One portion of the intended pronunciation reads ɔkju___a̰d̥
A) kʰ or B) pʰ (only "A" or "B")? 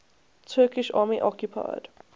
B